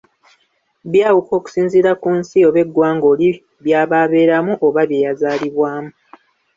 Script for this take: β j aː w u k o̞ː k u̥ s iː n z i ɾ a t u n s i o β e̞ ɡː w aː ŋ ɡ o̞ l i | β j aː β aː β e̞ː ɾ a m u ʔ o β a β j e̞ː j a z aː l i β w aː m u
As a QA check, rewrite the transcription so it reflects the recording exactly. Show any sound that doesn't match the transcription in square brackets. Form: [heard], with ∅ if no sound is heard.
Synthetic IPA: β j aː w u k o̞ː k u̥ s iː n z i ɾ a [k] u n s i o β e̞ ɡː w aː ŋ ɡ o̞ l i | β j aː β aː β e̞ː ɾ a m u ʔ o β a β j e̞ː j a z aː l i β w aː m u